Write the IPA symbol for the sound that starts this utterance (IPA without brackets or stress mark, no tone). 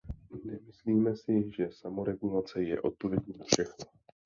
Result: n